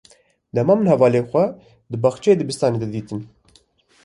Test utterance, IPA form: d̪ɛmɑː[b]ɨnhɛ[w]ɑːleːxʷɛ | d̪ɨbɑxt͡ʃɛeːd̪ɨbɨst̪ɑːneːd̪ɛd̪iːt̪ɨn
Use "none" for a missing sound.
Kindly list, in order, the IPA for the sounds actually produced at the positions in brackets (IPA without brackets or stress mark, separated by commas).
m, v